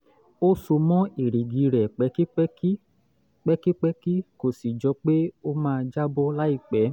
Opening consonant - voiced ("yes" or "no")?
no